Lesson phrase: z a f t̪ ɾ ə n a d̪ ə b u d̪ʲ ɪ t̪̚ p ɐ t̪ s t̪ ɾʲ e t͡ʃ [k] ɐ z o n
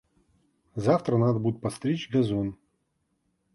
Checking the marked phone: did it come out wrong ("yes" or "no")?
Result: yes